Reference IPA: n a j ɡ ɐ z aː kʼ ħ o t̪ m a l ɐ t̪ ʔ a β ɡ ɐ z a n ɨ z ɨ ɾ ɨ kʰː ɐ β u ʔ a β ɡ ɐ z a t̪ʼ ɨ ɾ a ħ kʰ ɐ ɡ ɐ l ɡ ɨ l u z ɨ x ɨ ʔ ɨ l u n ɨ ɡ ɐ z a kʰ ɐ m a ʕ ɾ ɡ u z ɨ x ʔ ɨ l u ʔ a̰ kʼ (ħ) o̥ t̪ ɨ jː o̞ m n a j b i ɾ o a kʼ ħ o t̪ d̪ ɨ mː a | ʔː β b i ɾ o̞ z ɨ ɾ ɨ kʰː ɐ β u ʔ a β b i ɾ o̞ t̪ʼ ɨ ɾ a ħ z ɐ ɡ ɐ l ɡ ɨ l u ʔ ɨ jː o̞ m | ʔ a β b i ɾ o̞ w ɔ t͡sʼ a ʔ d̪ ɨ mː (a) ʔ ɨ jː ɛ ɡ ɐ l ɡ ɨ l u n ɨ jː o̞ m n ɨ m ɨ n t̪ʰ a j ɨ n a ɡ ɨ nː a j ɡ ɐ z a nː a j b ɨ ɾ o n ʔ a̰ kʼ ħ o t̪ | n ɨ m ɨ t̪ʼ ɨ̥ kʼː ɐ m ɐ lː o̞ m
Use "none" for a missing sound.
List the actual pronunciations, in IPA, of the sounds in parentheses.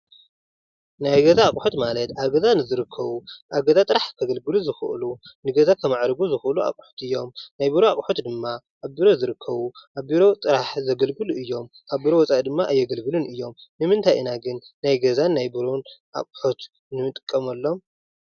ħ, a

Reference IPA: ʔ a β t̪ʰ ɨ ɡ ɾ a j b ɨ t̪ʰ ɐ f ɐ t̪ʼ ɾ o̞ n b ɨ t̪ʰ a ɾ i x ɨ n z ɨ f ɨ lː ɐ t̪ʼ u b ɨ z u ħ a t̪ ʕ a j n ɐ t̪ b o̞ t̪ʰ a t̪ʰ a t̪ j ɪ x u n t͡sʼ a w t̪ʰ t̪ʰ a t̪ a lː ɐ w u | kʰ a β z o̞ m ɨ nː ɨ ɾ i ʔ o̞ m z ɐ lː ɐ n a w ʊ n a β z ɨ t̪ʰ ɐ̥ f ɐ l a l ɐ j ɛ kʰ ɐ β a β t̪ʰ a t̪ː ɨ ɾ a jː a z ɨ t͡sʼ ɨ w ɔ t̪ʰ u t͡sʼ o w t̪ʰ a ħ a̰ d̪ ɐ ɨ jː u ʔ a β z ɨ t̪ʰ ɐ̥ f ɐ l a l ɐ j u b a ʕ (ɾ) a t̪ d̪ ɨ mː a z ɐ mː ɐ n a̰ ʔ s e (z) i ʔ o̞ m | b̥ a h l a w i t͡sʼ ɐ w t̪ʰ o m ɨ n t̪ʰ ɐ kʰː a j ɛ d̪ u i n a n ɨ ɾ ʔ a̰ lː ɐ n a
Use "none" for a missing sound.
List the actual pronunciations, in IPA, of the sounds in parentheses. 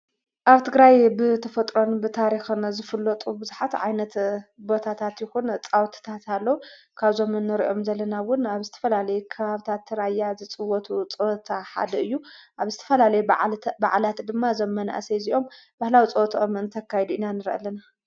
l, z

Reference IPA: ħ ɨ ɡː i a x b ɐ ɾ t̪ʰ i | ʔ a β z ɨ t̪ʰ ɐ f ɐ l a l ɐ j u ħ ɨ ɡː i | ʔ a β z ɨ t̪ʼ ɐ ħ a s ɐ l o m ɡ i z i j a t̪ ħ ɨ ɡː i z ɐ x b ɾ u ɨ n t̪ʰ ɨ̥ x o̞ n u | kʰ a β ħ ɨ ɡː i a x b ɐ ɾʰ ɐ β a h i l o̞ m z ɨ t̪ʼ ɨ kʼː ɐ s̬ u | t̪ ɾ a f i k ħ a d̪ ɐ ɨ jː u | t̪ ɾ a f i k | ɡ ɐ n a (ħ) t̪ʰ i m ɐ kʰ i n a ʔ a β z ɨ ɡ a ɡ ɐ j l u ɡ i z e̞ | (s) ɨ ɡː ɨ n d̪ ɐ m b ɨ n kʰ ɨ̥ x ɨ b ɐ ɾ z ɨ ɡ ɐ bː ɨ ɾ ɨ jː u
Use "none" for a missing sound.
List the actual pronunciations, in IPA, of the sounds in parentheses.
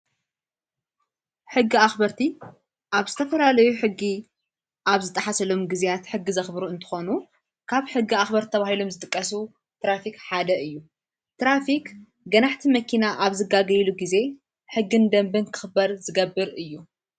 ħ, ħ

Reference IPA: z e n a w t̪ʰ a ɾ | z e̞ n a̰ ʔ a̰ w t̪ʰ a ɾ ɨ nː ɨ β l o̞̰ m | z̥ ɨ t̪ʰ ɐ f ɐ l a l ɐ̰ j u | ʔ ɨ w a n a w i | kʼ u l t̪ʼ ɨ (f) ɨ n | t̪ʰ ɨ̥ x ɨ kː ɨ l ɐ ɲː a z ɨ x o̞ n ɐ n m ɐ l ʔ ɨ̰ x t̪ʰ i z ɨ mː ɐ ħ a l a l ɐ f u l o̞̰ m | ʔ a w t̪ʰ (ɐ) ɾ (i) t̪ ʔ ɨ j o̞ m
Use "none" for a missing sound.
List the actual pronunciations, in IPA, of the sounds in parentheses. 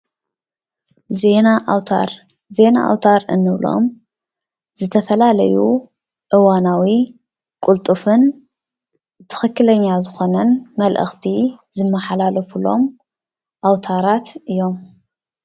f, a, a

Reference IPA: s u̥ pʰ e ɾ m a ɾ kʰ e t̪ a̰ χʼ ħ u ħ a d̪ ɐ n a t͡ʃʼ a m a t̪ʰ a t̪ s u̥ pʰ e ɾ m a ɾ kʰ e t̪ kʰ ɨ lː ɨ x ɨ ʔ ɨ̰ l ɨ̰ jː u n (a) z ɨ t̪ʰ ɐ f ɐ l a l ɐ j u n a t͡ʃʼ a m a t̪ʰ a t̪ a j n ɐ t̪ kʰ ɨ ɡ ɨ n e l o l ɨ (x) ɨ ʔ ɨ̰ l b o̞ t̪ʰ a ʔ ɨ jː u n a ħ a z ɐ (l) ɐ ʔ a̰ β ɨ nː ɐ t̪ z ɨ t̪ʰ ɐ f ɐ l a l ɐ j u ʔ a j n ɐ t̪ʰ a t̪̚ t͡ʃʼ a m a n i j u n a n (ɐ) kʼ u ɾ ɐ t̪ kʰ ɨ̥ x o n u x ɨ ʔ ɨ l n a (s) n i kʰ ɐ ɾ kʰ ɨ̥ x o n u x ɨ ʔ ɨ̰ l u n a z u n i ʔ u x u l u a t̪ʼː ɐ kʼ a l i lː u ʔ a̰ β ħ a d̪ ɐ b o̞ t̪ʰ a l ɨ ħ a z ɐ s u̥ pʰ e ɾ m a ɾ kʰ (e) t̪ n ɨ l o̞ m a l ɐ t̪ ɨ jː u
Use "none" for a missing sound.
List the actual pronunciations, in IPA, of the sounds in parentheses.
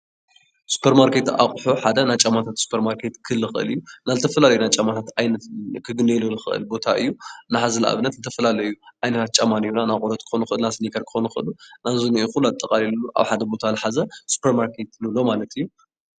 a, x, l, a, s, e

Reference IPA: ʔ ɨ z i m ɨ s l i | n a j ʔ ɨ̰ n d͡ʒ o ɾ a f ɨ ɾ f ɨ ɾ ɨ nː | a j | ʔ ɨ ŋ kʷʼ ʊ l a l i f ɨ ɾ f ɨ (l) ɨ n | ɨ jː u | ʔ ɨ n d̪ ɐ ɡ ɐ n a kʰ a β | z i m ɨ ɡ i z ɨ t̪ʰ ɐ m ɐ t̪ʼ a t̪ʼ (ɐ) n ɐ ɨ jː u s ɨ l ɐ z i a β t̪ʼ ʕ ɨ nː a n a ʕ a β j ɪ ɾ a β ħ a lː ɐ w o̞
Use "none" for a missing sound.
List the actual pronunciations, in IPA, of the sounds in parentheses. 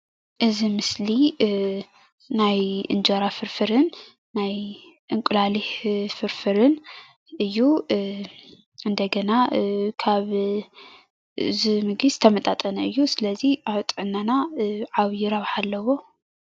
ɾ, ɐ

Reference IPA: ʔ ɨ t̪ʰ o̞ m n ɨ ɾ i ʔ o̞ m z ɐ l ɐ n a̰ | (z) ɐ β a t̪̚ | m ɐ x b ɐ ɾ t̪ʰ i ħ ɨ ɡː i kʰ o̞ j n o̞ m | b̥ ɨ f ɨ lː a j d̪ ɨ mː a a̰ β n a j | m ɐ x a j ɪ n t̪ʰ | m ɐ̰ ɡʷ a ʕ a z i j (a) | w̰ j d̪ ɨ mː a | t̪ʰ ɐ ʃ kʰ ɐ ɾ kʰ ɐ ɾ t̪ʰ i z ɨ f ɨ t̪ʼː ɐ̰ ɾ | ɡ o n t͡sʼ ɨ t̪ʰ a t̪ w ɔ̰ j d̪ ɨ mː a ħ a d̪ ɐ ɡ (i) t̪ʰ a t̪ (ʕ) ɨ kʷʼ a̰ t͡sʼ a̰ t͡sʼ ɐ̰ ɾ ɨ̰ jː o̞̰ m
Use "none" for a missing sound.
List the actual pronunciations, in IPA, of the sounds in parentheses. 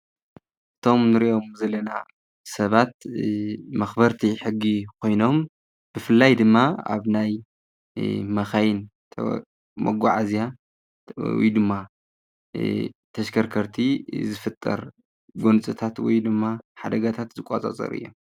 s, a, a, z

